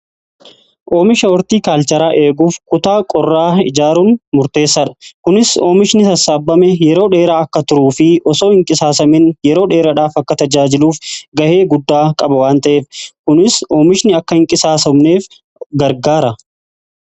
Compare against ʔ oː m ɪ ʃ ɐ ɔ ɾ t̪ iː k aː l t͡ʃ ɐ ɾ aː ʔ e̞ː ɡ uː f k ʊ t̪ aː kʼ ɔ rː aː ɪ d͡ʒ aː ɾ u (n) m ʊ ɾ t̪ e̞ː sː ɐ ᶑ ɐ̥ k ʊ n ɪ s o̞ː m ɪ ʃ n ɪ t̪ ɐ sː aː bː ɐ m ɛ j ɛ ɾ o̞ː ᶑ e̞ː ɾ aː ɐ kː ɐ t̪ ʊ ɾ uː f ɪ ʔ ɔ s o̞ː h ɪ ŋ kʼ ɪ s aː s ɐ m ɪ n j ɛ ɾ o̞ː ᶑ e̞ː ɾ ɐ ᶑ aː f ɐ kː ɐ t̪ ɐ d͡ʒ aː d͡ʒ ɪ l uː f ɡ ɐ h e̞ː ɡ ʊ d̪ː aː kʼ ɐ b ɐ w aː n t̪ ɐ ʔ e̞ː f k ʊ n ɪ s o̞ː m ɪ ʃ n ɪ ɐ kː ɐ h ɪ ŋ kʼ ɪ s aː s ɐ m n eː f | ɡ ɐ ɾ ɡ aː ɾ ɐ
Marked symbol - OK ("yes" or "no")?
yes